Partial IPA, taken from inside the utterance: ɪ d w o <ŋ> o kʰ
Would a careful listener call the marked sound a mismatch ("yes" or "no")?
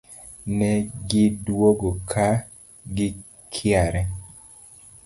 yes